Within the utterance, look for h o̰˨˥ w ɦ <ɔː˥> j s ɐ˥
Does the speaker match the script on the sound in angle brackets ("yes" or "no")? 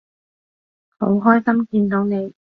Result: yes